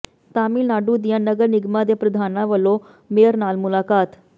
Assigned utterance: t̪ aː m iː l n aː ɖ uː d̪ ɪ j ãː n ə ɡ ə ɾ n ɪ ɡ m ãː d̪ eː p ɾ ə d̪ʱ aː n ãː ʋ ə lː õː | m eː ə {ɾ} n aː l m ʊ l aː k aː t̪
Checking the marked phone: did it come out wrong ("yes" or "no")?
no